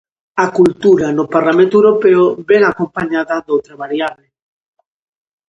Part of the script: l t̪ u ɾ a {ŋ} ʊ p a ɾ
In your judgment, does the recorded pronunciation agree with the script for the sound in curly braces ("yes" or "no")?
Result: no